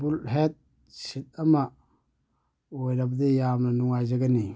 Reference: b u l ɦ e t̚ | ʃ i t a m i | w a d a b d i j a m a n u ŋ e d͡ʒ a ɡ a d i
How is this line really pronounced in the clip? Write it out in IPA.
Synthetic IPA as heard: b u l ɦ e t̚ | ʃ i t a m a | w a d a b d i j a m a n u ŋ a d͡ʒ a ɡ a n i